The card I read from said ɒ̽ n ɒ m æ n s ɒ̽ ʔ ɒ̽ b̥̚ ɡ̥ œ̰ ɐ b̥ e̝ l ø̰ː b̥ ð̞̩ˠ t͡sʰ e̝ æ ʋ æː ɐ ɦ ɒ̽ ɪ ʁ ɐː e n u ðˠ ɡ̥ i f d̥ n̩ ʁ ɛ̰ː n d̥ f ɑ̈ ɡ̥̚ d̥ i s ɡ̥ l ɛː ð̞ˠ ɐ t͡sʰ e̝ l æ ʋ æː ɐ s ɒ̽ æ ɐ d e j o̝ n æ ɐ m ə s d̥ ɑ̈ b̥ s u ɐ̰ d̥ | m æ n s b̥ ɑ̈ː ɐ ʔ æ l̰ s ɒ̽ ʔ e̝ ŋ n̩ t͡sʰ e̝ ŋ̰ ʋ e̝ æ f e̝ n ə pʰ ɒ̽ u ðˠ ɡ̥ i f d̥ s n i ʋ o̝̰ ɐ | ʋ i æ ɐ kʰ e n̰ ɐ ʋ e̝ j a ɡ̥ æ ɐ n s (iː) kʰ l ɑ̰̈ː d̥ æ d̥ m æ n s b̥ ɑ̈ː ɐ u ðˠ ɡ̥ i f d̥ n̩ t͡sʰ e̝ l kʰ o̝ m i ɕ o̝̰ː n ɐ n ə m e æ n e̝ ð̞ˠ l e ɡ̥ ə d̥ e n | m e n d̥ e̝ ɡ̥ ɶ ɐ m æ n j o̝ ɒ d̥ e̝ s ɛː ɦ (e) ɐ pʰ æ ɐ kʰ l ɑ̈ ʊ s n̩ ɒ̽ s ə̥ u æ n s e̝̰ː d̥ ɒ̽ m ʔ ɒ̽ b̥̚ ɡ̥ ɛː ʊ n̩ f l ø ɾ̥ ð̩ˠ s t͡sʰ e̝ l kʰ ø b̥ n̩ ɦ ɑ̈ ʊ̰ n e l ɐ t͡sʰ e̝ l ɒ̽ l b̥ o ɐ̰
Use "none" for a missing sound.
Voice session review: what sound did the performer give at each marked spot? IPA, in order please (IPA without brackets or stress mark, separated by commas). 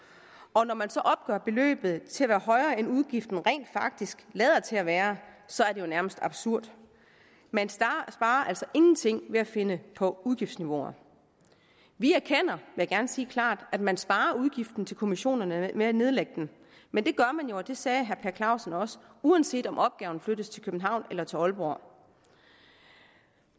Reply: iː, æ